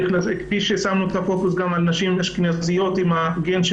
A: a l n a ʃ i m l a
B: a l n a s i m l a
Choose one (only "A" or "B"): A